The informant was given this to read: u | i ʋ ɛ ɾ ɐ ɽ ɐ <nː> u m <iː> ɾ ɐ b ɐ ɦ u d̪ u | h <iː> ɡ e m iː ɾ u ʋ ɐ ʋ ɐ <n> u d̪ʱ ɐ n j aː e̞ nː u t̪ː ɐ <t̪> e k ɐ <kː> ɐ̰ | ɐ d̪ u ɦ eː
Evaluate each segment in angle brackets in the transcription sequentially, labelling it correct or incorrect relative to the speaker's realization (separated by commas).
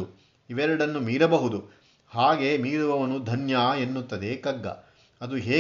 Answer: correct, correct, incorrect, correct, incorrect, incorrect